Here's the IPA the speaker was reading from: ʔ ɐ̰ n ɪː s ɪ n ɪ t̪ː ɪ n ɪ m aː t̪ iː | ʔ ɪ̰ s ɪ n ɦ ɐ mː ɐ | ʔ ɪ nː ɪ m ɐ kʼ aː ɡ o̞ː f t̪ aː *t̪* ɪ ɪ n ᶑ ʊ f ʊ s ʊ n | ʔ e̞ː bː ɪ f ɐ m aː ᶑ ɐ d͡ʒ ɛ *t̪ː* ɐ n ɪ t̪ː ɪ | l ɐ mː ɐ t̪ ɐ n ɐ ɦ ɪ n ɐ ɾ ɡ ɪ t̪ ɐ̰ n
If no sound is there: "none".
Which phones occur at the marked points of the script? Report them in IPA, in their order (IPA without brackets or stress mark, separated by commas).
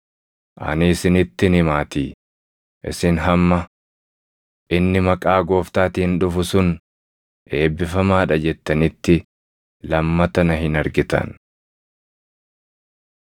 t̪, t̪ː